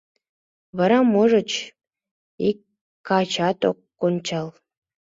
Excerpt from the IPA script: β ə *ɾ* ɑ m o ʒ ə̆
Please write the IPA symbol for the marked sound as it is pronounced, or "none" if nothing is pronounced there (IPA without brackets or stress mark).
ɾ